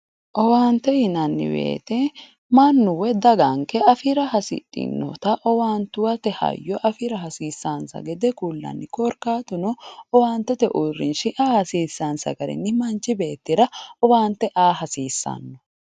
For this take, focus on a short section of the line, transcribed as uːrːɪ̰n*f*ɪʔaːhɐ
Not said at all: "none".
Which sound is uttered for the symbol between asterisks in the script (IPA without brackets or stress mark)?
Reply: ʃ